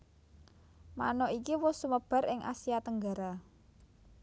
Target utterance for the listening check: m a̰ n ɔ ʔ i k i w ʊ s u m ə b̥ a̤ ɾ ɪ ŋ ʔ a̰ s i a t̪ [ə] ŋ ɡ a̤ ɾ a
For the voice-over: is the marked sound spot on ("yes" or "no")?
yes